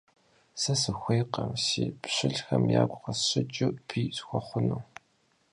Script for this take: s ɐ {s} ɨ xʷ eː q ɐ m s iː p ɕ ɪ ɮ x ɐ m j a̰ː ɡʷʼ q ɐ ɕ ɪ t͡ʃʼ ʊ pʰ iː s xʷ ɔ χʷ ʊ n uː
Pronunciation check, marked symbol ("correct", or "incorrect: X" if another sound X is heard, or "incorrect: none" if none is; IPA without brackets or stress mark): correct